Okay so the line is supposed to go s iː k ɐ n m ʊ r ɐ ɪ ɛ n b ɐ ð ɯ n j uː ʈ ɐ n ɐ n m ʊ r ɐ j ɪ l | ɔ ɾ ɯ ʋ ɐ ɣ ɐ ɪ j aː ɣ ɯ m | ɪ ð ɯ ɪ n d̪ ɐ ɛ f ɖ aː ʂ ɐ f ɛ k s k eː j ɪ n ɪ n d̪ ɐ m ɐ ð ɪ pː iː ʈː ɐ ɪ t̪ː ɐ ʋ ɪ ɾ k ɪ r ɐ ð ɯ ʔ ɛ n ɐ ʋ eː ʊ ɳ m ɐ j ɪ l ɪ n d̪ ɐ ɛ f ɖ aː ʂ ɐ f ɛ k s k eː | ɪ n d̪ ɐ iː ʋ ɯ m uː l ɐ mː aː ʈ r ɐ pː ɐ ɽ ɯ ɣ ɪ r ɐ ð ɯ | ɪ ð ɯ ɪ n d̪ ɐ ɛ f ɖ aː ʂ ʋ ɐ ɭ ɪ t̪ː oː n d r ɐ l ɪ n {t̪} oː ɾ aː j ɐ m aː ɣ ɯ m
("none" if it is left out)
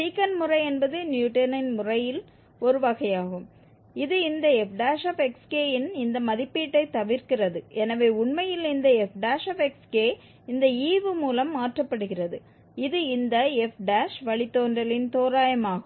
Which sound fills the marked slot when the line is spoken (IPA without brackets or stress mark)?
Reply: t̪